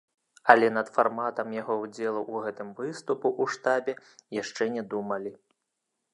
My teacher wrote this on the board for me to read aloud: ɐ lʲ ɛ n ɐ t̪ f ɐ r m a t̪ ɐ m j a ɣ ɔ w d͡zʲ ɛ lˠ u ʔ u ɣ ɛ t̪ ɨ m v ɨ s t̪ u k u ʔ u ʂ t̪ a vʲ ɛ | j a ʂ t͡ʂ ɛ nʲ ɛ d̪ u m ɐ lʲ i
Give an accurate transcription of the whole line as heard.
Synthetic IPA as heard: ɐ lʲ ɛ n ɐ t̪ f a r m a t̪ ɐ m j a ɣ ɔ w d͡zʲ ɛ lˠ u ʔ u ɣ ɛ t̪ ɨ m v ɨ s t̪ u p u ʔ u ʂ t̪ a bʲ ɛ | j a ʂ t͡ʂ ɛ nʲ ɛ d̪ u m ɐ lʲ i

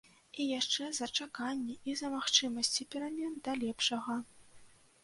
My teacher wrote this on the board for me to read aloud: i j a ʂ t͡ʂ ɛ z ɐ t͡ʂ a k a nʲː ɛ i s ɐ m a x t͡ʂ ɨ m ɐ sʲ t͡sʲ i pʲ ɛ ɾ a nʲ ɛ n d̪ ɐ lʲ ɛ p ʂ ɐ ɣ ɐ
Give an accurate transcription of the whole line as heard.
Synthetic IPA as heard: i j a ʂ t͡ʂ ɛ z ɐ t͡ʂ a k a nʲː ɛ i z ɐ m a x t͡ʂ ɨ m ɐ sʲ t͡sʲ i pʲ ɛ ɾ a mʲ ɛ n d̪ ɐ lʲ ɛ p ʂ ɐ ɣ ɐ

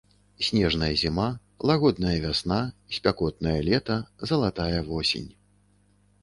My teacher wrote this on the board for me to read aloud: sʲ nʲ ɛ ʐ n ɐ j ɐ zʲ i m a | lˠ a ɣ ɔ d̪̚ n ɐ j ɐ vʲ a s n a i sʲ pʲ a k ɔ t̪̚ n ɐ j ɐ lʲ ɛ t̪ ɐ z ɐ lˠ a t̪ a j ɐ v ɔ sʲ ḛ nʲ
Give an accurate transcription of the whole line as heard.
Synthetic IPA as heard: sʲ nʲ ɛ ʐ n ɐ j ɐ zʲ i m a | lˠ a ɣ ɔ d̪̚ n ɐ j ɐ vʲ a s n a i sʲ pʲ a k ɔ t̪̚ n ɐ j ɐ lʲ ɛ t̪ ɐ z ɐ lˠ a t̪ a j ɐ v ɔ sʲ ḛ nʲ

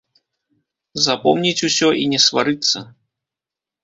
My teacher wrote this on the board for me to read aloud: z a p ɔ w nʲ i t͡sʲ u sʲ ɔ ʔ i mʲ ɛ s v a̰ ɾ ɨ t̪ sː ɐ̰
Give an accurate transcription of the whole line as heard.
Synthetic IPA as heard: z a p ɔ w nʲ i t͡sʲ u sʲ ɔ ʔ i nʲ ɛ s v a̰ ɾ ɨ t̪ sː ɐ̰

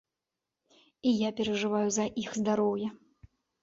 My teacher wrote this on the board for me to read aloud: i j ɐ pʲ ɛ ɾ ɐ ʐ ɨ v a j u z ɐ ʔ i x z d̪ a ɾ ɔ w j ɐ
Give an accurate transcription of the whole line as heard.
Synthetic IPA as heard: i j a pʲ ɛ ɾ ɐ ʐ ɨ v a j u z ɐ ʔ i x z d̪ a ɾ ɔ w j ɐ

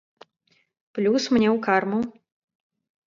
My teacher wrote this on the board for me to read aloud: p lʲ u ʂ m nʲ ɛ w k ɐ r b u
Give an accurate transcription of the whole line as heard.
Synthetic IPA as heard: p lʲ u s m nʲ ɛ w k a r m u

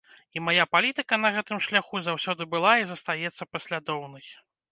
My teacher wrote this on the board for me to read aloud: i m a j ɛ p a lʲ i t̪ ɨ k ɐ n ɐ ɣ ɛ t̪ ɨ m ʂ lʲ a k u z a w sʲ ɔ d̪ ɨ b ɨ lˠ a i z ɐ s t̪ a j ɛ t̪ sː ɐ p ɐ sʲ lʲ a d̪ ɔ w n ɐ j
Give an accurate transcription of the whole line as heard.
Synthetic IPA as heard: i m a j a p a lʲ i t̪ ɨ k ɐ n ɐ ɣ ɛ t̪ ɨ m ʂ lʲ a x u z a w sʲ ɔ d̪ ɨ b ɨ lˠ a i z ɐ s t̪ a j ɛ t̪ sː ɐ p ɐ sʲ lʲ a d̪ ɔ w n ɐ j

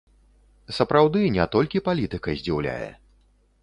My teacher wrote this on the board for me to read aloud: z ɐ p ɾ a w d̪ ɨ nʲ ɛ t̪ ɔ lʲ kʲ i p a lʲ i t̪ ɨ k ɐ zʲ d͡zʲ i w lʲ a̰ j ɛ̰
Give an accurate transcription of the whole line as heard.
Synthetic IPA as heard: s ɐ p ɾ a w d̪ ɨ nʲ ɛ t̪ ɔ lʲ kʲ i p a lʲ i t̪ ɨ k ɐ zʲ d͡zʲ i w lʲ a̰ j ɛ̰

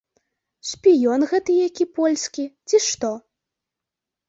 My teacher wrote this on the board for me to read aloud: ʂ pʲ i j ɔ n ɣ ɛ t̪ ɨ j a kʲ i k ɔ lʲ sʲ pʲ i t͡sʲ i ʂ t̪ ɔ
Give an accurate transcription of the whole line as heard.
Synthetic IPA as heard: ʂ pʲ i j ɔ n ɣ ɛ t̪ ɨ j a kʲ i p ɔ lʲ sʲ kʲ i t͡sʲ i ʂ t̪ ɔ

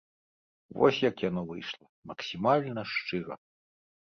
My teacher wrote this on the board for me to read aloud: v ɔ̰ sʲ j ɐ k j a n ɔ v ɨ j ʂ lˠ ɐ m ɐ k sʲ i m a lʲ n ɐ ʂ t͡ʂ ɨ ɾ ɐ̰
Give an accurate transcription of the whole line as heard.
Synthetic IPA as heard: v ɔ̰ sʲ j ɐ k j a n ɔ v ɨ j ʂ lˠ ɐ m ɐ k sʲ i m a lʲ n ɐ ʂ t͡ʂ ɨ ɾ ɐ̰

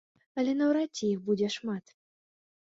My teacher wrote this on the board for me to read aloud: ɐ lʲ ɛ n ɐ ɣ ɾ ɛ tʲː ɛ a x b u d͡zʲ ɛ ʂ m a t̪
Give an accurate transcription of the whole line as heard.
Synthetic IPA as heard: ɐ lʲ ɛ n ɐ w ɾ a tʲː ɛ i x b u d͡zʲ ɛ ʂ m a t̪

